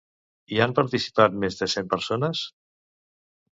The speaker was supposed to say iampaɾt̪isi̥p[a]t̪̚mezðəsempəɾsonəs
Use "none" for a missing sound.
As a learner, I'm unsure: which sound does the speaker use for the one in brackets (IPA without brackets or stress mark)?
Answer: a